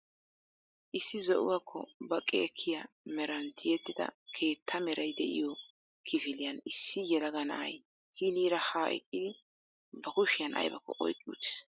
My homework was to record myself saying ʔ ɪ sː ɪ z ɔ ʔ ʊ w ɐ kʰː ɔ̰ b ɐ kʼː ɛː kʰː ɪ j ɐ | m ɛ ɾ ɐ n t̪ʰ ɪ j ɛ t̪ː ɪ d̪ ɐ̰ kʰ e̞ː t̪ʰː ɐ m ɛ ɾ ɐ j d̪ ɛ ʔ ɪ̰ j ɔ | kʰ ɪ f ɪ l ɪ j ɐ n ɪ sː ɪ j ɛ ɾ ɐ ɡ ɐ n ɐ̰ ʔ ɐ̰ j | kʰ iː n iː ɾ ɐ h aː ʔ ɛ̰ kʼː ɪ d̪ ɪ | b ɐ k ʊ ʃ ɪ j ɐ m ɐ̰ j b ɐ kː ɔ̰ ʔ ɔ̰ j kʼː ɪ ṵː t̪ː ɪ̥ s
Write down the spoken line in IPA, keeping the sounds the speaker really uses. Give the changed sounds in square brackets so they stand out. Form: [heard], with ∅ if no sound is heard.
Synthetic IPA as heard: ʔ ɪ sː ɪ z ɔ ʔ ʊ w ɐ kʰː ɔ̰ b ɐ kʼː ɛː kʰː ɪ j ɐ | m ɛ ɾ ɐ n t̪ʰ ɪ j ɛ t̪ː ɪ d̪ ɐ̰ kʰ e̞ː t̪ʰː ɐ m ɛ ɾ ɐ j d̪ ɛ ʔ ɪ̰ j ɔ | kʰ ɪ f ɪ l ɪ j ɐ n ɪ sː ɪ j ɛ [l] ɐ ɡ ɐ n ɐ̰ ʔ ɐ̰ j | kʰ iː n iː ɾ ɐ h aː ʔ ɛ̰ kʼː ɪ d̪ ɪ | b ɐ k ʊ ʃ ɪ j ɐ [n] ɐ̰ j b ɐ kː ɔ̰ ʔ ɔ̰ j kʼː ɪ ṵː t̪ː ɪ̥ s